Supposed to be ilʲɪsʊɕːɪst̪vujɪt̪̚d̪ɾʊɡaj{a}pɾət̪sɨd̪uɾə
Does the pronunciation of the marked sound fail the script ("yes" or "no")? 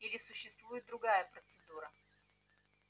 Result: yes